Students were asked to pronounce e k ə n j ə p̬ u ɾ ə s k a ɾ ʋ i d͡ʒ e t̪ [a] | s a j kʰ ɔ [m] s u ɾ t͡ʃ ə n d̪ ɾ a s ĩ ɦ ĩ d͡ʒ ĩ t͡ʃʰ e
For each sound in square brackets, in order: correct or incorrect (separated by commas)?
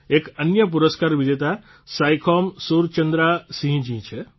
correct, correct